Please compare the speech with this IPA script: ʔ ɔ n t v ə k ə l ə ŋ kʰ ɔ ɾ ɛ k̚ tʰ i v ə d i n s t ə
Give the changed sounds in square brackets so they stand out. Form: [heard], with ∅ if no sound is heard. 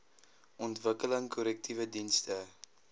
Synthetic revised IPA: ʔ ɔ n t v ə k ə l ə ŋ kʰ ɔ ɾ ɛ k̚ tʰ i v ə d i n s t ə